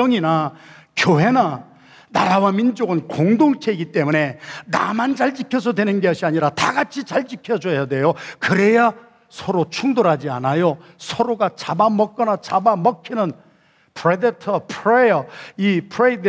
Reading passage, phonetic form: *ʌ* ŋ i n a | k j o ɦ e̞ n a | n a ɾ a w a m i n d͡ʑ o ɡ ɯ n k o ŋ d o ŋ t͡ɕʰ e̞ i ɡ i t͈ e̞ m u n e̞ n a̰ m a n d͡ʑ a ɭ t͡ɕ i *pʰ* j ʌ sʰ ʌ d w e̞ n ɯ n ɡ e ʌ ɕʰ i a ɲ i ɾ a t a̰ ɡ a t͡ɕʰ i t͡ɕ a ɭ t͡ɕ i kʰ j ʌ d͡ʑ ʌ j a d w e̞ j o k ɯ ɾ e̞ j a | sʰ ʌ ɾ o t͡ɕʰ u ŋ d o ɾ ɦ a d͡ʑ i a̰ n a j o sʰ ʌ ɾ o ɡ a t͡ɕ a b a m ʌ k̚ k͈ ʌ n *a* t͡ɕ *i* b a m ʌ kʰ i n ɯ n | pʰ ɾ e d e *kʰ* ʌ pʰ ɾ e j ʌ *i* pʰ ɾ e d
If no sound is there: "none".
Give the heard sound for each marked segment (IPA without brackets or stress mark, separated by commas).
ʌ, kʰ, a, a, tʰ, i